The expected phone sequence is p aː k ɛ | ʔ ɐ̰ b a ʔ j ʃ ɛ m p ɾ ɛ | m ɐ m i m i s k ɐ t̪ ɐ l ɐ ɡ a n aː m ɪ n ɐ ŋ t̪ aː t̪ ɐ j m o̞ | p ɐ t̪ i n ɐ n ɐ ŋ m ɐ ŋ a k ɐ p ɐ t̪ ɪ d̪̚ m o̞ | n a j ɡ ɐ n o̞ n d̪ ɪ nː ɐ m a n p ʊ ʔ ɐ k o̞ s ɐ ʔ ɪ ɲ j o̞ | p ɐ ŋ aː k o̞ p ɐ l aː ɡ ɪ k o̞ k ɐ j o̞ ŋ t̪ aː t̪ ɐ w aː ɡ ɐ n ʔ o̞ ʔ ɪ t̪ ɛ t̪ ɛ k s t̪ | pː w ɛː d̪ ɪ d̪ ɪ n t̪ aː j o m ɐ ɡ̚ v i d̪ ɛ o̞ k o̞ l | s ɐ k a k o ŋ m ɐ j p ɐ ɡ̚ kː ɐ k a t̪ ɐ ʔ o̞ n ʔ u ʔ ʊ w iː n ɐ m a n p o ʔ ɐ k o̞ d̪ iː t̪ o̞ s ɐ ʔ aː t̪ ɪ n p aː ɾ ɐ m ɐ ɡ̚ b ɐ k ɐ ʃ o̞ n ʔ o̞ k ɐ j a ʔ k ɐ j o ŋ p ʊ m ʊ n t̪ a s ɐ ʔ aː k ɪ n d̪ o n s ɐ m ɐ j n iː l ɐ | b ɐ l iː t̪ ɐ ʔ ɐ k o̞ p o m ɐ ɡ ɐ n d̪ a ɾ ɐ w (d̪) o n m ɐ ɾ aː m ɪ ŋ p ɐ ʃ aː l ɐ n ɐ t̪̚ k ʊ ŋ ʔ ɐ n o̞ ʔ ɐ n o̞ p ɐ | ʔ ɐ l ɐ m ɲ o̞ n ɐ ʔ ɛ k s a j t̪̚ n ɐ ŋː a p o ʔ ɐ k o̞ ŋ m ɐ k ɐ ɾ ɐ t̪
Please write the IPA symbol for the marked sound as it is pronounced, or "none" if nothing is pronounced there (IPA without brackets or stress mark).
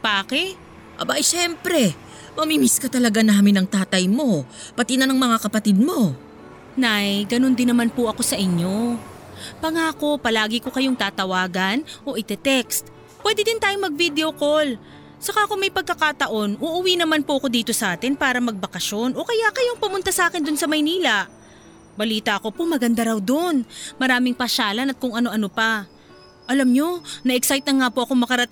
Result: d̪